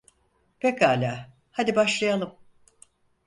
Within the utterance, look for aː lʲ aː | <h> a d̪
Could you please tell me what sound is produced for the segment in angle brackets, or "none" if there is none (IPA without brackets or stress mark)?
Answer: h